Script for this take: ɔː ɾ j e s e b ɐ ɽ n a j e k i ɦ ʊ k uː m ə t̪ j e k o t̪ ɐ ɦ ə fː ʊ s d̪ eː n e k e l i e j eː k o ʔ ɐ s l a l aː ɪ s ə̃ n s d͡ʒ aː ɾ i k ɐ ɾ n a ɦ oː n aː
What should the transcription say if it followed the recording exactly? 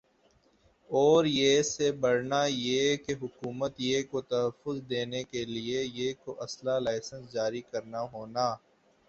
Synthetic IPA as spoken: ɔː ɾ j e s e b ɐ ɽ n a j e k e ɦ ʊ k uː m ə t̪ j e k o t̪ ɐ ɦ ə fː ʊ z d̪ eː n e k e l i e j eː k o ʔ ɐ s l a l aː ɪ s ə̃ n s d͡ʒ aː ɾ i k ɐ ɾ n a ɦ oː n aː

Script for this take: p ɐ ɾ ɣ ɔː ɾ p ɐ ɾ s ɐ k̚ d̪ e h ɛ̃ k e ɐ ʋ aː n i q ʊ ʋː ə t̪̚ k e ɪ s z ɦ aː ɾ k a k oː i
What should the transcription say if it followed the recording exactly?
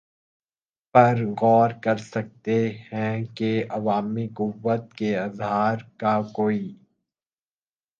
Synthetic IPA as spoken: p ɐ ɾ ɣ ɔː ɾ k ɐ ɾ s ɐ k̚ t̪ e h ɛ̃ k e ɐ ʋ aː m i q ʊ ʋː ə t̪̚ k e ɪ z ɦ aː ɾ k a k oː i

